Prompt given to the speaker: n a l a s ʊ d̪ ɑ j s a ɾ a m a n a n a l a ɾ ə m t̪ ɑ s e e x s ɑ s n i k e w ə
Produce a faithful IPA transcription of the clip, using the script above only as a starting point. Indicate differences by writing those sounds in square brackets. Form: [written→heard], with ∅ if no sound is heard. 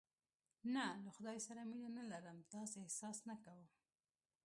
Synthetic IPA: n a l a [s→x] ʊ d̪ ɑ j s a ɾ a m [a→i] n a n a l a ɾ ə m t̪ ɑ s e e [x→h] s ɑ s n [i→a] k [e→a] w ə